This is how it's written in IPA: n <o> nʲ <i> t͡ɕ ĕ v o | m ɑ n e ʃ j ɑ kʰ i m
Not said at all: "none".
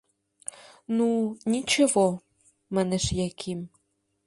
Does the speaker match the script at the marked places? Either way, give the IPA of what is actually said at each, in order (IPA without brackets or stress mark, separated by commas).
u, i